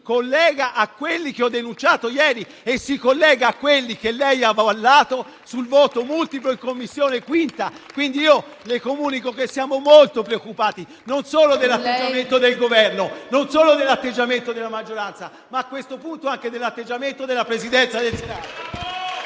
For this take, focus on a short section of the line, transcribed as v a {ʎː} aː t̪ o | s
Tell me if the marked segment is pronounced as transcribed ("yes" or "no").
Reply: no